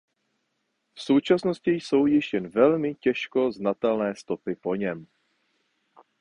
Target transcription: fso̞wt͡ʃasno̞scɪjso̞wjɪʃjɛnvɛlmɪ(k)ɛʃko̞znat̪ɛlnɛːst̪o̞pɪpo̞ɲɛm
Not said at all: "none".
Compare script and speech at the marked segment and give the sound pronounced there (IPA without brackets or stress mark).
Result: c